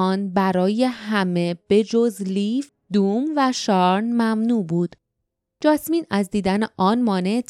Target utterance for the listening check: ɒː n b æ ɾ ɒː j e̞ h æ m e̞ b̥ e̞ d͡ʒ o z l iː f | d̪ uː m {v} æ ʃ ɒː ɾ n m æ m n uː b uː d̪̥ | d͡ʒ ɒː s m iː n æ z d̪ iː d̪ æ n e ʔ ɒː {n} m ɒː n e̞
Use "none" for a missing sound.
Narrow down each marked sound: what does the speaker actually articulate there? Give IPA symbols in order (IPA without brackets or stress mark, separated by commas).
v, n